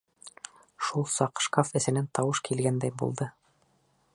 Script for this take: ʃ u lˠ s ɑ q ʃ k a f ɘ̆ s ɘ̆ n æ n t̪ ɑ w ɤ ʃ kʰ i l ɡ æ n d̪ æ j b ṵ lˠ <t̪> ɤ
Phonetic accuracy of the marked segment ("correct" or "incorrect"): incorrect